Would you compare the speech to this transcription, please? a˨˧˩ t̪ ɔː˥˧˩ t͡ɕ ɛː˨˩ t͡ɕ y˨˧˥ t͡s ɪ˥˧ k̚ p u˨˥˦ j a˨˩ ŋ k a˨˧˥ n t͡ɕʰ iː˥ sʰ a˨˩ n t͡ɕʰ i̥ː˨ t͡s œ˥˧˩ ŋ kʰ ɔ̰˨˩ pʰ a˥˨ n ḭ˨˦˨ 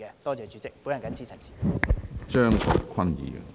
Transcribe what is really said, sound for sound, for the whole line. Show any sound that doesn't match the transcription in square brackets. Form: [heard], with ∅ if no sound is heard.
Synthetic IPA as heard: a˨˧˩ t̪ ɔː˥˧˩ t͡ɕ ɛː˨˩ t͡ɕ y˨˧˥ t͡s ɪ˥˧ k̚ p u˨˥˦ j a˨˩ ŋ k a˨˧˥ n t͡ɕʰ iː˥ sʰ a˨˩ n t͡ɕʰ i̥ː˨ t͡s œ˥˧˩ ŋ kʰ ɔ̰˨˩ [kʰ] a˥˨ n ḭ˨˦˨